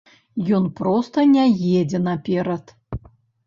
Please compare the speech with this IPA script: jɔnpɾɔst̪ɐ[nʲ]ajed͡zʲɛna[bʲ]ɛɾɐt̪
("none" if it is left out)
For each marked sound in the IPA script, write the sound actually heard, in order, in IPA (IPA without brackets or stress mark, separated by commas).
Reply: nʲ, pʲ